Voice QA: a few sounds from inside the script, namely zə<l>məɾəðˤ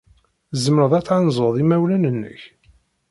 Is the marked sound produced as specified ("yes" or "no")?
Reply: no